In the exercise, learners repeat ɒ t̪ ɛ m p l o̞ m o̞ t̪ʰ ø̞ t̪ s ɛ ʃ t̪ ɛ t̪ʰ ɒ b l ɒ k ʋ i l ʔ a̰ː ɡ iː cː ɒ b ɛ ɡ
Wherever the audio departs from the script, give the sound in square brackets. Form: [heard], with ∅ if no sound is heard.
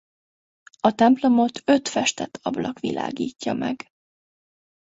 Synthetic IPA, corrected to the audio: ɒ t̪ ɛ m p l o̞ m o̞ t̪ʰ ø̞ t̪ [f] ɛ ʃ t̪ ɛ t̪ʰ ɒ b l ɒ k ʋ i l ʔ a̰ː ɡ iː cː ɒ [m] ɛ ɡ

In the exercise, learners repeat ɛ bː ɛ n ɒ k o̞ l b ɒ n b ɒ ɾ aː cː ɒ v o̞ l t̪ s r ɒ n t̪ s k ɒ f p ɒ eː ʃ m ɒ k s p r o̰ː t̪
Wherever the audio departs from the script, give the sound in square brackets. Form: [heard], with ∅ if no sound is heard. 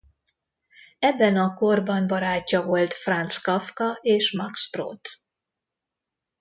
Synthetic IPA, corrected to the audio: ɛ bː ɛ n ɒ k o̞ [r] b ɒ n b ɒ ɾ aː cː ɒ v o̞ l t̪ [f] r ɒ n t̪ s k ɒ f [k] ɒ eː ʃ m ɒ k s p r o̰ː t̪

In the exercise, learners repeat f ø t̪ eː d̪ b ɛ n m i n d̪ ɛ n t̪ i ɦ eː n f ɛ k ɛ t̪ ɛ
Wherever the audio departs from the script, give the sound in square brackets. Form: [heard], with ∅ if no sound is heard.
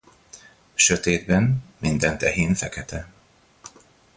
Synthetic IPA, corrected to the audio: [ʃ] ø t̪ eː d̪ b ɛ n m i n d̪ ɛ n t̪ [ɛ] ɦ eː n f ɛ k ɛ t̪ ɛ

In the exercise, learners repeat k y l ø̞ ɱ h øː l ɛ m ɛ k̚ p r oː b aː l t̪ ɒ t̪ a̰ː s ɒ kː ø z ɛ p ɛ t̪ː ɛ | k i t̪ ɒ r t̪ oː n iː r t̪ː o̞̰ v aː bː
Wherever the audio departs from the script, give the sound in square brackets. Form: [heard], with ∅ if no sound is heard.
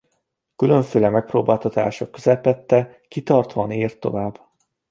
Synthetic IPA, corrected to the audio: k y l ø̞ ɱ [f] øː l ɛ m ɛ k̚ p r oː b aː l t̪ ɒ t̪ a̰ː [ʃ] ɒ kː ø z ɛ p ɛ t̪ː ɛ | k i t̪ ɒ r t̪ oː n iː r t̪ː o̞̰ v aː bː

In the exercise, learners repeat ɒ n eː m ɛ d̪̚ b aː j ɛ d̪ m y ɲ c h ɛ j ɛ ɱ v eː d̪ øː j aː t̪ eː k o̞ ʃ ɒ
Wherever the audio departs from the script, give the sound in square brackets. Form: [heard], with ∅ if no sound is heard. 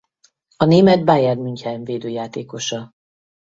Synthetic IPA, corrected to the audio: ɒ n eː m ɛ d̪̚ b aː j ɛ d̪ m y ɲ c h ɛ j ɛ ɱ v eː d̪ øː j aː t̪ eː k o̞ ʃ ɒ

